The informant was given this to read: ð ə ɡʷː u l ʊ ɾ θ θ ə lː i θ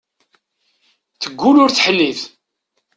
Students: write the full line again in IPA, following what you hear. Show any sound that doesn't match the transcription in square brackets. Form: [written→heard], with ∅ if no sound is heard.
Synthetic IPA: [ð→θ] ə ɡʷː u l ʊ ɾ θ [θ→ħ] ə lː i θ